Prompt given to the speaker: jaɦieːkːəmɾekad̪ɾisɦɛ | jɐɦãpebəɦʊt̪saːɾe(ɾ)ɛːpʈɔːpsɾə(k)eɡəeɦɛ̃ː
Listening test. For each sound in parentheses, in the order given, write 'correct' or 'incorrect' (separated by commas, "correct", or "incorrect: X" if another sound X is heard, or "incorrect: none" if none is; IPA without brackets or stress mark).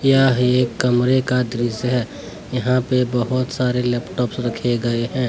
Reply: incorrect: l, incorrect: kʰ